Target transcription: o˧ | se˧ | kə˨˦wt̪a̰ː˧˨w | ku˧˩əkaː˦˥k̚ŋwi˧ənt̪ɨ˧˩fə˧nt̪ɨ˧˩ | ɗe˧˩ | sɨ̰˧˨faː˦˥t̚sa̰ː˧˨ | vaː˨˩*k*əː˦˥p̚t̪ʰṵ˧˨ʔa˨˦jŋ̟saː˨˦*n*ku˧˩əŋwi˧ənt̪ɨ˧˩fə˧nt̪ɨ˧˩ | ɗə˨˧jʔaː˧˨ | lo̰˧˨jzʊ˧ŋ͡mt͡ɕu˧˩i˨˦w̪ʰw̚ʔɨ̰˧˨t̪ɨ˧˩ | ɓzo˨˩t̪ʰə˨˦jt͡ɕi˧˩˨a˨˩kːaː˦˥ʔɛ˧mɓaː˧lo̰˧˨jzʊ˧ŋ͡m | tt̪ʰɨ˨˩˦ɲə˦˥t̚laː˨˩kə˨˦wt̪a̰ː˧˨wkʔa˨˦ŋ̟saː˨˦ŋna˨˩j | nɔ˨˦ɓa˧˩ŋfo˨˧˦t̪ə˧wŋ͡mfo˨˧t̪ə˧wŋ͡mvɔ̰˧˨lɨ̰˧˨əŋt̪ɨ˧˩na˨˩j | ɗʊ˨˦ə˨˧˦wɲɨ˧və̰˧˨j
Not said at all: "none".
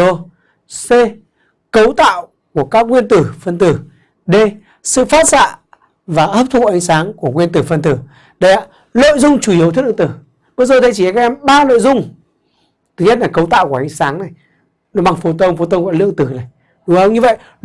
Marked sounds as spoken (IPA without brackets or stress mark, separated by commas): ʔ, ŋ